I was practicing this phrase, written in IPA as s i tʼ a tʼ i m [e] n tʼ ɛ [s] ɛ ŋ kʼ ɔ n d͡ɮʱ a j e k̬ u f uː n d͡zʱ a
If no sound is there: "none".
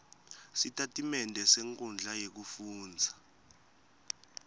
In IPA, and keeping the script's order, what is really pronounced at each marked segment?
ɛ, s

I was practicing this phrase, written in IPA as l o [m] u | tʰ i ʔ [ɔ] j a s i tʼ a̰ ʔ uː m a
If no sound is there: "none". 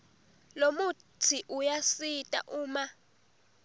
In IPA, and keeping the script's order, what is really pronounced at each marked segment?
m, u

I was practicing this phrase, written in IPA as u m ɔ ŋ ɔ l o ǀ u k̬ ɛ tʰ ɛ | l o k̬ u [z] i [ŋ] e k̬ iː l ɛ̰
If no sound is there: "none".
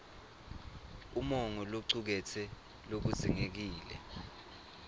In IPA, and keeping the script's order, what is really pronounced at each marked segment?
z, ŋ

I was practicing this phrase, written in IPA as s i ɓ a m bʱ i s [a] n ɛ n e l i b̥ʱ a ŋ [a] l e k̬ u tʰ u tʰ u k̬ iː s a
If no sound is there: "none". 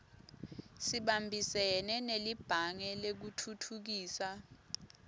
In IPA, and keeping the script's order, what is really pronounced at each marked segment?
ɛ, ɛ

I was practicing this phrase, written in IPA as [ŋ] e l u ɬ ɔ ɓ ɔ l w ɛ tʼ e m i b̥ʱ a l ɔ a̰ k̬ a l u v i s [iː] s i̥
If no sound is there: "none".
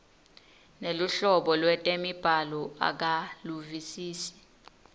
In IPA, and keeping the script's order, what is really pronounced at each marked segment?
n, iː

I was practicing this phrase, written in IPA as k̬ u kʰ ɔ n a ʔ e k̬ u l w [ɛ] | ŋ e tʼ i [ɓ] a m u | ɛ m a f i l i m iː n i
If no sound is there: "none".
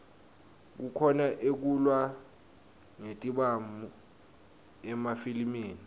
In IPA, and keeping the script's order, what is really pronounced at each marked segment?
a, ɓ

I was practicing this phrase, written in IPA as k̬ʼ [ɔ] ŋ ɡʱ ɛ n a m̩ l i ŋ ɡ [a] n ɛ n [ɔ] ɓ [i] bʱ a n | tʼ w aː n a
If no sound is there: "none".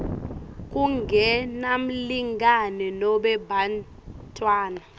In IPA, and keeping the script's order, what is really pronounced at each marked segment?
u, a, ɔ, ɛ

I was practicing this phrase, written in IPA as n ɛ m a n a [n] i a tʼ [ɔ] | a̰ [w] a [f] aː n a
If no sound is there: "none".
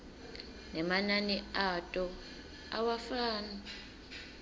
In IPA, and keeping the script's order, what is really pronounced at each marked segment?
n, ɔ, w, f

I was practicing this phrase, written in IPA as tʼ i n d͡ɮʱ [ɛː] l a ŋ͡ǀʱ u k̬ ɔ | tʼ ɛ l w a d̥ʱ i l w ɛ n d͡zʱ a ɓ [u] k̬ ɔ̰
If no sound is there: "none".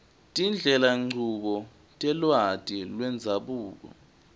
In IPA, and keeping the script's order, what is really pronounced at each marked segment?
ɛ, uː

